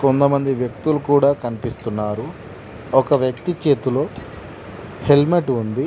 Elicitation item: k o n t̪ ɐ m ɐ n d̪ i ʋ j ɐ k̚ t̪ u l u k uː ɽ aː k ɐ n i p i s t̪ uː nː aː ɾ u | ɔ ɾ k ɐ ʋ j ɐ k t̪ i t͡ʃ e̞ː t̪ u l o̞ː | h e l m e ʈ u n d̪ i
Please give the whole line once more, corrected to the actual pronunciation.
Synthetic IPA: k o n t̪ ɐ m ɐ n d̪ i ʋ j ɐ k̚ t̪ u l u k uː ɽ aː k ɐ n i p i s t̪ u nː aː ɾ u | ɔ k ɐ ʋ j ɐ k t̪ i t͡ʃ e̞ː t̪ u l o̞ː | h e l m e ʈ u n d̪ i

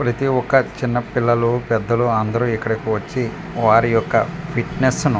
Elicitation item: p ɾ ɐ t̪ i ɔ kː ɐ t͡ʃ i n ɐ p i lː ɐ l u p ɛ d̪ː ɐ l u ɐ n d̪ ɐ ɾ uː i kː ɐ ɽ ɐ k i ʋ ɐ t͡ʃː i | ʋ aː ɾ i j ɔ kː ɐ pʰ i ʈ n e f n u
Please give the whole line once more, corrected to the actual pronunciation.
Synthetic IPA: p ɾ ɐ t̪ i ɔ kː ɐ t͡ʃ i nː ɐ p i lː ɐ l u p ɛ d̪ː ɐ l u ɐ n d̪ ɐ ɾ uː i kː ɐ ɽ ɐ k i ʋ ɐ t͡ʃː i | ʋ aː ɾ i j ɔ kː ɐ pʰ i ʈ n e s n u

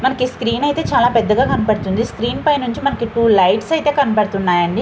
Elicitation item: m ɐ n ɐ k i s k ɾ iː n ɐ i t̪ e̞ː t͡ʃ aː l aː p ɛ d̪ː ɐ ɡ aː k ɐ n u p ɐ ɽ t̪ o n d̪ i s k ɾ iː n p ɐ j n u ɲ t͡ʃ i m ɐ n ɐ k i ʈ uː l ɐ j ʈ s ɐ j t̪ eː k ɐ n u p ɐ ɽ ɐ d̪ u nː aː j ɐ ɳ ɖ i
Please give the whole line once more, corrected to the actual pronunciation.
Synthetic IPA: m ɐ n ɐ k i s k ɾ iː n ɐ j t̪ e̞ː t͡ʃ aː l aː p ɛ d̪ː ɐ ɡ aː k ɐ n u p ɐ ɽ t̪ u n d̪ i s k ɾ iː n p ɐ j n u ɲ t͡ʃ i m ɐ n ɐ k i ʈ uː l ɐ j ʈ s ɐ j t̪ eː k ɐ n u p ɐ ɽ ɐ t̪ u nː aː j ɐ ɳ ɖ i

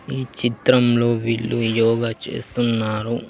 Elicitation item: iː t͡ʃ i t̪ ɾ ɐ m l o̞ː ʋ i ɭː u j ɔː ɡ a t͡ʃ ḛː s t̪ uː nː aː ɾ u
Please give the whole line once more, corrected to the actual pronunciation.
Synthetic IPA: iː t͡ʃ i t̪ ɾ ɐ m l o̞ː ʋ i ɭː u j ɔː ɡ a t͡ʃ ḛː s t̪ u nː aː ɾ u

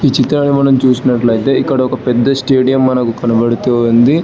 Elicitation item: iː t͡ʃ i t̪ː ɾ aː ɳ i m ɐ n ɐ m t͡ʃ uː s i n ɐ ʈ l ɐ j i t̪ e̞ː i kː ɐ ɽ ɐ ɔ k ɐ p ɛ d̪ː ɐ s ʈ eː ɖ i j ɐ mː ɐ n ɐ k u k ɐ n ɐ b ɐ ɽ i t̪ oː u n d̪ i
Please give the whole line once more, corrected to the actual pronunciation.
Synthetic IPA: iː t͡ʃ i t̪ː ɾ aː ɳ i m ɐ n ɐ m t͡ʃ uː s i n ɐ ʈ l ɐ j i t̪ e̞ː i kː ɐ ɽ ɐ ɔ k ɐ p ɛ d̪ː ɐ s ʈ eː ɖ i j ɐ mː ɐ n ɐ k u k ɐ n ɐ b ɐ ɽ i t̪ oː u n d̪ i

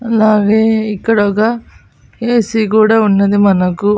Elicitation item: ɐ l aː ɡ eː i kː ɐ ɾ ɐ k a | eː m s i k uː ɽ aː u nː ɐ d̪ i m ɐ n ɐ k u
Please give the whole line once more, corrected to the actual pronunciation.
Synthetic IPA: ɐ l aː ɡ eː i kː ɐ ɽ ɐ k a | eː s i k uː ɽ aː u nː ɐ d̪ i m ɐ n ɐ k u

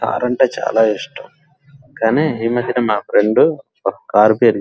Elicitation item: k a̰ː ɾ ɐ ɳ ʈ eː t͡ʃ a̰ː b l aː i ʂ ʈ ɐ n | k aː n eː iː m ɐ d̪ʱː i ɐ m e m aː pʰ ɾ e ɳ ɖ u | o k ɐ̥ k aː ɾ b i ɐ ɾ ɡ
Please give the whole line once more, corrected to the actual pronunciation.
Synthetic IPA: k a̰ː ɾ ɐ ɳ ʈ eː t͡ʃ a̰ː l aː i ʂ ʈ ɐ m | k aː n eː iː m ɐ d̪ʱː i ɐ n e m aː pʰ ɾ e ɳ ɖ u | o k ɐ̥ k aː ɾ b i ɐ ɾ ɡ

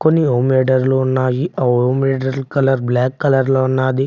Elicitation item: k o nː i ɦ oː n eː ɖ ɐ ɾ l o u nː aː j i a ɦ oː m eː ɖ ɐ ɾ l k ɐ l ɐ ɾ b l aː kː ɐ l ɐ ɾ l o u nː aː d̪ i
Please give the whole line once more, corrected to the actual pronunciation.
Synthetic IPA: k o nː i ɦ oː m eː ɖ ɐ ɾ l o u nː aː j i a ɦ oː m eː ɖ ɐ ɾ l k ɐ l ɐ ɾ b l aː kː ɐ l ɐ ɾ l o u nː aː d̪ i

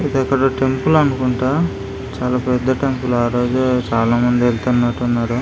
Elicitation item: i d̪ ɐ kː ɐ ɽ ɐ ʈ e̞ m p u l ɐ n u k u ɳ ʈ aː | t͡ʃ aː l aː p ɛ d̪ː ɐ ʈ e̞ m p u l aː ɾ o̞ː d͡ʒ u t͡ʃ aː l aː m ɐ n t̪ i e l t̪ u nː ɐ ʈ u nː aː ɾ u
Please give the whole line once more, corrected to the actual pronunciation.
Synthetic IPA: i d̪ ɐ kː ɐ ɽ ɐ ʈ e̞ m p u l ɐ n u k u ɳ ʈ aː | t͡ʃ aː l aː p ɛ d̪ː ɐ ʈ e̞ m p u l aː ɾ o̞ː d͡ʒ u t͡ʃ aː l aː m ɐ n d̪ i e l t̪ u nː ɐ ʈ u nː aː ɾ u

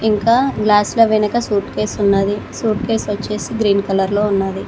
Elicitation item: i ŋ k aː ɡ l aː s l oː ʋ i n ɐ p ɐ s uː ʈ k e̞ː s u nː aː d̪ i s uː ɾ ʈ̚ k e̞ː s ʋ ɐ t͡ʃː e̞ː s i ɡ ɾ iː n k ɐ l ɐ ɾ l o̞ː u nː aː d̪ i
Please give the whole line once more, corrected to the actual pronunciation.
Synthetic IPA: i ŋ k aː ɡ l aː s l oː ʋ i n ɐ k ɐ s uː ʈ k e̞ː s u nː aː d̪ i s uː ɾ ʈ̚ k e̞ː s ʋ ɐ t͡ʃː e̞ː s i ɡ ɾ iː n k ɐ l ɐ ɾ l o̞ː u nː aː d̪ i

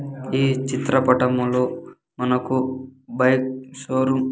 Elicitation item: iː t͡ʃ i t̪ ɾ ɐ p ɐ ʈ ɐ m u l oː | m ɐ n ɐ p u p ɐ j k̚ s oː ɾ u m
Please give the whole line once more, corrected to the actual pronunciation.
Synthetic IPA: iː t͡ʃ i t̪ ɾ ɐ p ɐ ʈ ɐ m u l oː | m ɐ n ɐ k u b ɐ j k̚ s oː ɾ u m

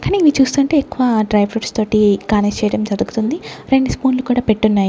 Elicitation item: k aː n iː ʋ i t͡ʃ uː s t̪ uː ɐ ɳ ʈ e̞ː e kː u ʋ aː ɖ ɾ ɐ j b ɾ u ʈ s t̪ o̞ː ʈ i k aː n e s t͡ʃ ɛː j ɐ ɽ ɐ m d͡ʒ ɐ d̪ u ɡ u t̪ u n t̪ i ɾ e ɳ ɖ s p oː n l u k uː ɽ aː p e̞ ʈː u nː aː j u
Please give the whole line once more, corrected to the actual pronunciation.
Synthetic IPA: k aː n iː ʋ i t͡ʃ uː s t̪ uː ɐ ɳ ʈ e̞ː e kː u ʋ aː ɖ ɾ ɐ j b ɾ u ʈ s t̪ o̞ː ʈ i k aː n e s t͡ʃ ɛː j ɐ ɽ ɐ m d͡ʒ ɐ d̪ u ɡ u t̪ u n d̪ i ɾ e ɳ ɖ s p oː n l u k uː ɽ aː p e̞ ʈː u nː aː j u

